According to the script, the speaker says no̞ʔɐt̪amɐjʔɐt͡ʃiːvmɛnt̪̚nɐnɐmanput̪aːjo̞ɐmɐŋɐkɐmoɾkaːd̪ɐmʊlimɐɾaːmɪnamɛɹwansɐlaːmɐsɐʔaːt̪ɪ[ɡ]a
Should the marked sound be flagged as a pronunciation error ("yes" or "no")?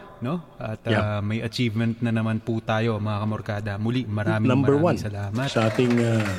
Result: yes